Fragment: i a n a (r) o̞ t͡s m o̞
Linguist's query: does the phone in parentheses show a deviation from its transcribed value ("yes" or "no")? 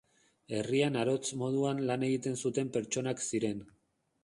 yes